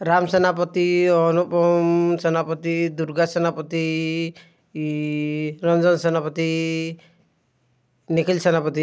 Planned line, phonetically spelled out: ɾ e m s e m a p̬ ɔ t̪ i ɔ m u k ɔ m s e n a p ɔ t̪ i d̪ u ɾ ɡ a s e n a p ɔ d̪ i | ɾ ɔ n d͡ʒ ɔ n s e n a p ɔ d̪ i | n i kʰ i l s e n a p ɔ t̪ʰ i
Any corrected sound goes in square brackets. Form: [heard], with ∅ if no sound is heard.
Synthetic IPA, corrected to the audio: ɾ [a] m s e [n] a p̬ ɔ t̪ i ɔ [n] u [p] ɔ m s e n a p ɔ t̪ i d̪ u ɾ ɡ a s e n a p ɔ [t̪] i | ɾ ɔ n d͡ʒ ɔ n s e n a p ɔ [t̪] i | n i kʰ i l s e n a p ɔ [t̪] i